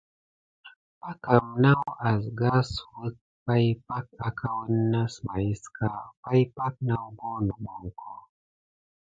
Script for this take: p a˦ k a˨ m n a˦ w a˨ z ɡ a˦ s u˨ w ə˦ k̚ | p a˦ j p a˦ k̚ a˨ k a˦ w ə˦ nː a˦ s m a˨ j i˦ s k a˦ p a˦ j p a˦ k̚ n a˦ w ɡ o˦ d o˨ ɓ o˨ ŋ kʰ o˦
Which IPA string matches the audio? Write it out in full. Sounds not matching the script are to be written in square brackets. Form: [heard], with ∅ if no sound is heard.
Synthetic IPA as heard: p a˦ k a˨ m n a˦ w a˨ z ɡ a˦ s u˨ w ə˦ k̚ | p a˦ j p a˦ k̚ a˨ k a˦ w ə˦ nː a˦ s m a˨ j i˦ s k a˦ p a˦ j p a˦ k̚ n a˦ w ɡ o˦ [n] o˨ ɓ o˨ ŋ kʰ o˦